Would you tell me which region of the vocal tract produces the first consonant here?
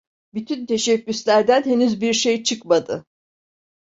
lips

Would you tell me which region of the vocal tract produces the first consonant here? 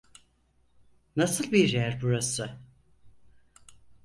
tongue tip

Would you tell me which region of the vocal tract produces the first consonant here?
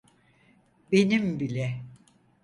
lips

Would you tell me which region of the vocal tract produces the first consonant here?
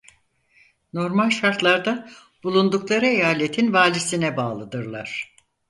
tongue tip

